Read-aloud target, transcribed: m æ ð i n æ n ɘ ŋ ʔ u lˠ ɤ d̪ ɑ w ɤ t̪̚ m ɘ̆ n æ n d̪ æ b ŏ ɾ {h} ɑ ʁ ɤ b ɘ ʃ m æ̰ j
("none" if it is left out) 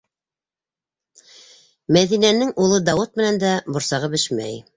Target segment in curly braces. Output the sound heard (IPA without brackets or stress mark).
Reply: s